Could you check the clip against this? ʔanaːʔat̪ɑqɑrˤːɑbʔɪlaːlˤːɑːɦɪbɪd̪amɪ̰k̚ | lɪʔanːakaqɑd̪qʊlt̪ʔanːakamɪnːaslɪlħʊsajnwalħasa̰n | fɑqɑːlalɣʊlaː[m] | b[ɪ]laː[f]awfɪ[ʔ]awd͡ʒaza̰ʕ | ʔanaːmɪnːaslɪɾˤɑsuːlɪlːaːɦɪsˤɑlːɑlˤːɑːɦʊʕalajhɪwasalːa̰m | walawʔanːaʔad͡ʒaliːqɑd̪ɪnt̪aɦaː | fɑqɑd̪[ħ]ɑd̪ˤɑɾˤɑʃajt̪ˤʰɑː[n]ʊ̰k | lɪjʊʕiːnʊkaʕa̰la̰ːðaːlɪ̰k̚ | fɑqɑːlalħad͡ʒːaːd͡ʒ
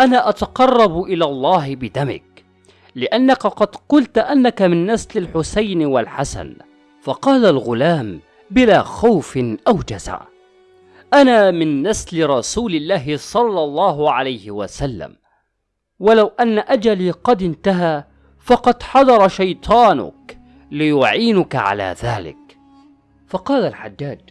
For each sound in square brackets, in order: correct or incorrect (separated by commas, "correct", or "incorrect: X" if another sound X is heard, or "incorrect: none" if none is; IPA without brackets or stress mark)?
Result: correct, correct, incorrect: x, correct, correct, correct